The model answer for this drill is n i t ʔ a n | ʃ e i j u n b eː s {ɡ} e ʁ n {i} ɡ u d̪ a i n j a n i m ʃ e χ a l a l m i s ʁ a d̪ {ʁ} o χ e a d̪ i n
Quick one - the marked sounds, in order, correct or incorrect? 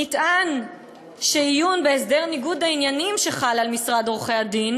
incorrect: d, correct, correct

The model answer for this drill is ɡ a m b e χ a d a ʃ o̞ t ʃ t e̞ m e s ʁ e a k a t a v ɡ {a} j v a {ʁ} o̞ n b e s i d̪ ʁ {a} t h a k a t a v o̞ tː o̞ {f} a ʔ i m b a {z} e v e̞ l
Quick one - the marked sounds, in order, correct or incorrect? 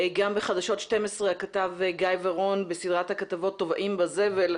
correct, correct, correct, incorrect: v, correct

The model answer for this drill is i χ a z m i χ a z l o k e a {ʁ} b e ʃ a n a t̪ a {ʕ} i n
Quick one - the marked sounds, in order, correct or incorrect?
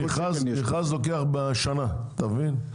incorrect: χ, incorrect: v

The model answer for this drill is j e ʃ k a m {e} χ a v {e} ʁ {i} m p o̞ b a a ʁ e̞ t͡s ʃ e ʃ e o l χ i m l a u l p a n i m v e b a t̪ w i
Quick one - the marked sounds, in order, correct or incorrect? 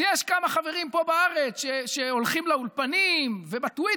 incorrect: a, correct, correct

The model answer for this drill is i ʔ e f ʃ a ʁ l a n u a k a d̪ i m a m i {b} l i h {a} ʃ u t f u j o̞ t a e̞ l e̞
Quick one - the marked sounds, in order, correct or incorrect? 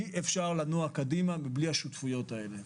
correct, correct

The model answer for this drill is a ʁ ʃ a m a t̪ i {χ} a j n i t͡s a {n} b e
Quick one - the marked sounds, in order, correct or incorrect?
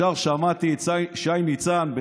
incorrect: ʃ, correct

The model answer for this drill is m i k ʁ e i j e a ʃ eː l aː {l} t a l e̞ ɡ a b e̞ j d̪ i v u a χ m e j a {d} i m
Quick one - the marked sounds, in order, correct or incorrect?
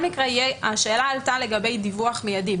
correct, correct

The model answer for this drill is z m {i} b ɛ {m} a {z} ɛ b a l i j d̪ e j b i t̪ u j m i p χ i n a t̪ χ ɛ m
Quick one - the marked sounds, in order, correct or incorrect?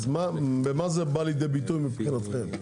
incorrect: a, correct, correct

